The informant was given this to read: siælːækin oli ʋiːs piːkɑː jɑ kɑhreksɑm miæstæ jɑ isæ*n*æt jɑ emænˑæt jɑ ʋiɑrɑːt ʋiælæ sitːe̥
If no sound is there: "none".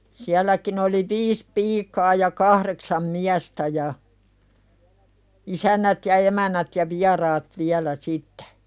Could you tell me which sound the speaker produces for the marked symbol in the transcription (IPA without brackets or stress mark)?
nː